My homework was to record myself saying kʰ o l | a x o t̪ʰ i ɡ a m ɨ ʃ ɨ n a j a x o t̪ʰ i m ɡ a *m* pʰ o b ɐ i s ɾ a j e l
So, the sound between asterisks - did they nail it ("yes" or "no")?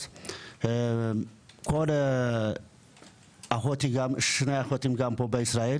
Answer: yes